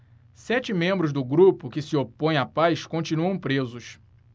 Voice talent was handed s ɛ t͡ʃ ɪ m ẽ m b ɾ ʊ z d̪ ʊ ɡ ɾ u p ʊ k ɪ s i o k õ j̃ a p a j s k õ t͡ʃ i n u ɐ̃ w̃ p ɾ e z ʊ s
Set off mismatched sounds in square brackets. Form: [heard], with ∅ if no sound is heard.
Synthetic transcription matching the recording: s ɛ t͡ʃ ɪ m ẽ m b ɾ ʊ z d̪ ʊ ɡ ɾ u p ʊ k ɪ s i o [p] õ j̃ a p a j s k õ t͡ʃ i n u ɐ̃ w̃ p ɾ e z ʊ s